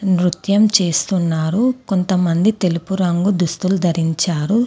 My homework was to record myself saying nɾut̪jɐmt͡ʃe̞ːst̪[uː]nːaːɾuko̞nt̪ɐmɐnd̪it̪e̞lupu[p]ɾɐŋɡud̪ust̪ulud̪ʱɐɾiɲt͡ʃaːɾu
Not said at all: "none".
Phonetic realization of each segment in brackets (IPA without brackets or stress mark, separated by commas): u, none